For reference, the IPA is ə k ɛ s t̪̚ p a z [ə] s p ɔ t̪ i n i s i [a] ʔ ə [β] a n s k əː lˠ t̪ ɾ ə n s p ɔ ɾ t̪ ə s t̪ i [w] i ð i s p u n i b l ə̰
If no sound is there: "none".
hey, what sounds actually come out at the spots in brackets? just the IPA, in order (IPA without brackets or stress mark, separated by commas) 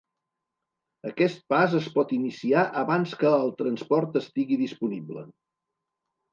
ə, a, β, ɣ